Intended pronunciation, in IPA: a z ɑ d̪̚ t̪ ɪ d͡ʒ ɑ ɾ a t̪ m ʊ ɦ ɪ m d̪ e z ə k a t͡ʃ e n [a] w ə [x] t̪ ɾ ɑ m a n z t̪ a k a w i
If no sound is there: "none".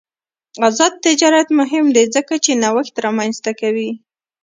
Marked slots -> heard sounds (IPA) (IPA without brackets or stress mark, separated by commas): a, x